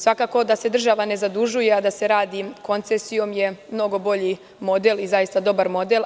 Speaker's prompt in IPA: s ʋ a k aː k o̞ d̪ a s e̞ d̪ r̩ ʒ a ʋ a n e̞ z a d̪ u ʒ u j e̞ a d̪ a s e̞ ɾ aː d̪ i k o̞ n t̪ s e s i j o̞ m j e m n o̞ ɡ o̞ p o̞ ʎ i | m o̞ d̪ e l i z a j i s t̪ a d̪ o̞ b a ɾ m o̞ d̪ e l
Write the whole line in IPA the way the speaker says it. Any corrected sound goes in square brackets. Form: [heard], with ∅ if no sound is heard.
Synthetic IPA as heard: s ʋ a k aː k o̞ d̪ a s e̞ d̪ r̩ ʒ a ʋ a n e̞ z a d̪ u ʒ u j e̞ a d̪ a s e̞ ɾ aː d̪ i k o̞ n t̪ s e s i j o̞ m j e m n o̞ ɡ o̞ [b] o̞ ʎ i | m o̞ d̪ e l i z a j i s t̪ a d̪ o̞ b a ɾ m o̞ d̪ e l